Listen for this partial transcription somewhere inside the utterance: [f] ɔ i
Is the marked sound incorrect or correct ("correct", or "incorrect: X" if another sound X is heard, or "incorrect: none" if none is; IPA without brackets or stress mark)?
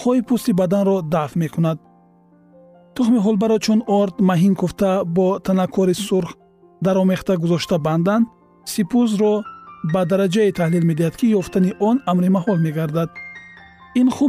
incorrect: χ